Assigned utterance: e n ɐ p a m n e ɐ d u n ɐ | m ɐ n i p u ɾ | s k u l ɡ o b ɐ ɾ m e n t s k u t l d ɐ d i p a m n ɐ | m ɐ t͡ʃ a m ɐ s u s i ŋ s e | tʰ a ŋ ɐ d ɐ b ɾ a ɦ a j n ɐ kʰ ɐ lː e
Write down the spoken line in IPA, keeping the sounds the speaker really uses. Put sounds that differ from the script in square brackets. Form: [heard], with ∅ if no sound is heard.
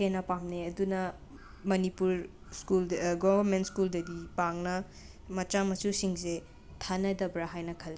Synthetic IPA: e n ɐ p a m n e ɐ d u n ɐ | m ɐ n i p u ɾ | s k u l ɡ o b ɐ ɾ m e n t s k u [∅] l d ɐ d i p a [ŋ] n ɐ | m ɐ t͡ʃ a m ɐ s u s i ŋ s e | tʰ a [n] ɐ d ɐ b ɾ a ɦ a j n ɐ kʰ ɐ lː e

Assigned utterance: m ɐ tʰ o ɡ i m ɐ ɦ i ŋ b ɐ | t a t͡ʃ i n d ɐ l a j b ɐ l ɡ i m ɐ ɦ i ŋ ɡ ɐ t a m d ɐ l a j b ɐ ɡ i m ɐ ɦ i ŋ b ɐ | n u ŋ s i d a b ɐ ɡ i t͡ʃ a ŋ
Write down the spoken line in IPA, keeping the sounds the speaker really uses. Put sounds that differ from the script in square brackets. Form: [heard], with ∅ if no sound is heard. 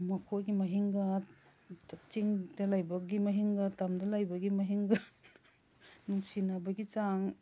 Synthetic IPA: m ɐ [kʰ] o ɡ i m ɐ ɦ i ŋ [ɡ] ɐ | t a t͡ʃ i [ŋ] d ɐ l a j b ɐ [∅] ɡ i m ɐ ɦ i ŋ ɡ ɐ t a m d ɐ l a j b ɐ ɡ i m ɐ ɦ i ŋ [ɡ] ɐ | n u ŋ s i [n] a b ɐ ɡ i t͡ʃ a ŋ

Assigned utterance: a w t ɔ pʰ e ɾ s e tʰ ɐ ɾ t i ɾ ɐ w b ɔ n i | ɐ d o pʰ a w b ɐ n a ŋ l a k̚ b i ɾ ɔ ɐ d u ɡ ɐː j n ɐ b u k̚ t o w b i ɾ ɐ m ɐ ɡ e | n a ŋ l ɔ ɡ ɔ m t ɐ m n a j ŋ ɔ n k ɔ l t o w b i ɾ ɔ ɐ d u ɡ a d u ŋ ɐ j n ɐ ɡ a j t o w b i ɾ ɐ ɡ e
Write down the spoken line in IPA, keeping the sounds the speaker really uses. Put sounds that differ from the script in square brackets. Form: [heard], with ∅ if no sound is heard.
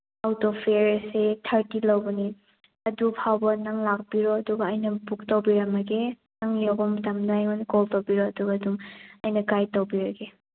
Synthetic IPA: a w t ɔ pʰ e ɾ s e tʰ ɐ ɾ t i [l] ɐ w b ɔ n i | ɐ d [u] pʰ a w b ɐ n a ŋ l a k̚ b i ɾ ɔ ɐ d u ɡ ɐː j n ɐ b u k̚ t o w b i ɾ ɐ m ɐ ɡ e | n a ŋ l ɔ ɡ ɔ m t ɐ m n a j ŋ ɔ n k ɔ l t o w b i ɾ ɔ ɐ d u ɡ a d u ŋ ɐ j n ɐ ɡ a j t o w b i ɾ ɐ ɡ e

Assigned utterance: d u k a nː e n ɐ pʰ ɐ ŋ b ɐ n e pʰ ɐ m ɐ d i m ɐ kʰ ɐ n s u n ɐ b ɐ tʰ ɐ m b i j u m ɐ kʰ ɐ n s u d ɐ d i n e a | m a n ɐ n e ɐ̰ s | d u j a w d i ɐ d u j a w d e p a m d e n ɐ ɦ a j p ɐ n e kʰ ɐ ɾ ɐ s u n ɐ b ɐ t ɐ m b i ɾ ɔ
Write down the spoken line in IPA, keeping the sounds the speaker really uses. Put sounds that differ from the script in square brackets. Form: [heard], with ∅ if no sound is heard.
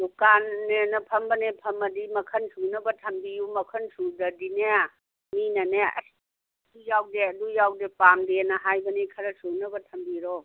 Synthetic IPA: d u k a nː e n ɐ pʰ ɐ [m] b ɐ n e pʰ ɐ m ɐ d i m ɐ kʰ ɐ n s u n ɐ b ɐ tʰ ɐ m b i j u m ɐ kʰ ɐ n s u d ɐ d i n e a | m [i] n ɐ n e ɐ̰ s | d u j a w d [e] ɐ d u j a w d e p a m d e n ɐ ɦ a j [b] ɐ n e kʰ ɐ ɾ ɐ s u n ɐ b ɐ [tʰ] ɐ m b i ɾ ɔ

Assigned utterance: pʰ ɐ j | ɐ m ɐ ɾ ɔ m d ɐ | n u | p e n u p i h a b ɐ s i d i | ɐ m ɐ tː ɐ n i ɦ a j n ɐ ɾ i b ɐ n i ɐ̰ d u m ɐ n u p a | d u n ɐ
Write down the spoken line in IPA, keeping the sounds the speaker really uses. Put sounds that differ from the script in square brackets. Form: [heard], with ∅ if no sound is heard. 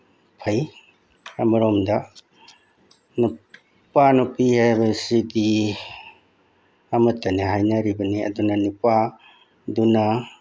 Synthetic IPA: pʰ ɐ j | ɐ m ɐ ɾ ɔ m d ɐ | n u | p [a] n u p i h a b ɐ s i d i | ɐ m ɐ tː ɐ n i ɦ a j n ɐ ɾ i b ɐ n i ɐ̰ d u [n] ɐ n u p a | d u n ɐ

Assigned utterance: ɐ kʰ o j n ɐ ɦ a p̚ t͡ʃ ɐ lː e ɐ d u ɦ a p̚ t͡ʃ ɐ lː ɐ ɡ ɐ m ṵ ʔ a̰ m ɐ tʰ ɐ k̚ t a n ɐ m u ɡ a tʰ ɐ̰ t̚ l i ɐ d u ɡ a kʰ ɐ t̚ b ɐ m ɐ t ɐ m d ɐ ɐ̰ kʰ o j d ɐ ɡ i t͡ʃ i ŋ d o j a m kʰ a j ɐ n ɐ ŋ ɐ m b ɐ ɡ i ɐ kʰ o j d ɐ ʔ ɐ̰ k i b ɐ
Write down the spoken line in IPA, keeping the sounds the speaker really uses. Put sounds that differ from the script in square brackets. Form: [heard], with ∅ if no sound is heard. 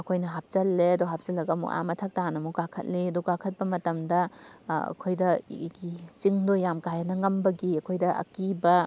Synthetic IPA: ɐ kʰ o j n ɐ ɦ a p̚ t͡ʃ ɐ lː e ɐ d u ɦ a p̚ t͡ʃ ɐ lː ɐ ɡ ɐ m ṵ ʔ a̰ m ɐ tʰ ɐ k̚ t a n ɐ m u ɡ a [kʰ] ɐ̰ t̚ l i ɐ d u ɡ a kʰ ɐ t̚ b ɐ m ɐ t ɐ m d ɐ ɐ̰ kʰ o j d ɐ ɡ i t͡ʃ i ŋ d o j a m [k] a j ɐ n ɐ ŋ ɐ m b ɐ ɡ i ɐ kʰ o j d ɐ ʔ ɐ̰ k i b ɐ

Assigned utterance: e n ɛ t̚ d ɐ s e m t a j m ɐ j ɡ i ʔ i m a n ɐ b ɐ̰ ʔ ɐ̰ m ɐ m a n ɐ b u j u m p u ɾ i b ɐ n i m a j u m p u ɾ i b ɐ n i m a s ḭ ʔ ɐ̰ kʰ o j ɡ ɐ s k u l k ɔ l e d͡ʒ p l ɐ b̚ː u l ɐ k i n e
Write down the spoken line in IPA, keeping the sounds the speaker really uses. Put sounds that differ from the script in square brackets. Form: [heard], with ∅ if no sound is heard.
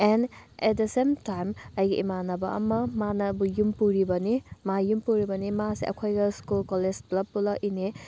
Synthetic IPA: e n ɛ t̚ d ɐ s e m t a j m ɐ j ɡ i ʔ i m a n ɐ b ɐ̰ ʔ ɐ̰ m ɐ m a n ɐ b u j u m p u ɾ i b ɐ n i m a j u m p u ɾ i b ɐ n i m a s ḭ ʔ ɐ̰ kʰ o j ɡ ɐ s k u l k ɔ l e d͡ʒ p l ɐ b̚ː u l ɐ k i n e

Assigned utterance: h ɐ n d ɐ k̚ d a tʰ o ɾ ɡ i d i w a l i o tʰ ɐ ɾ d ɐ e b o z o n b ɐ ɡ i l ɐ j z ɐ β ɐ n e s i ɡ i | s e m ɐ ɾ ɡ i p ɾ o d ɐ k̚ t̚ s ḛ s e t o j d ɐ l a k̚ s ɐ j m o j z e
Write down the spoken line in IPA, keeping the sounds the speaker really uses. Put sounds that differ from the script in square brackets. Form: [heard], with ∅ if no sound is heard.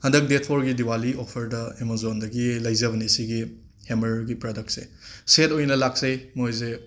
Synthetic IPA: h ɐ n d ɐ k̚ d [e] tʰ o ɾ ɡ i d i w a l i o [pʰ] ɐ ɾ d ɐ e [m] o z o n [d] ɐ ɡ i l ɐ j z ɐ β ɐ n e s i ɡ i | [h] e m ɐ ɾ ɡ i p ɾ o d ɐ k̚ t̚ s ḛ s e t o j [n] ɐ l a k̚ s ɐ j m o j z e

